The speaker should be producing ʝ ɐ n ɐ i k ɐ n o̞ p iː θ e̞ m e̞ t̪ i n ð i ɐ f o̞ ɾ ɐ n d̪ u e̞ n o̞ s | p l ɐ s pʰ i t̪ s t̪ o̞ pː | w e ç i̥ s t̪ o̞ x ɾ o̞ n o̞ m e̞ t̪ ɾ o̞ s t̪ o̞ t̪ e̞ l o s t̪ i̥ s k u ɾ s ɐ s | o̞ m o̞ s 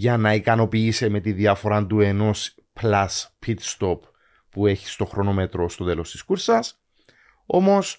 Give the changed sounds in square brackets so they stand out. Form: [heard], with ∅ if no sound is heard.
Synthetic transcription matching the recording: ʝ ɐ n ɐ i k ɐ n o̞ p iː [s] e̞ m e̞ t̪ i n ð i ɐ f o̞ ɾ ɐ n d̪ u e̞ n o̞ s | p l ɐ s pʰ i t̪ s t̪ o̞ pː | [u] e ç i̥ s t̪ o̞ x ɾ o̞ n o̞ m e̞ t̪ ɾ o̞ s t̪ o̞ t̪ e̞ l o s t̪ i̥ s k u ɾ s ɐ s | o̞ m o̞ s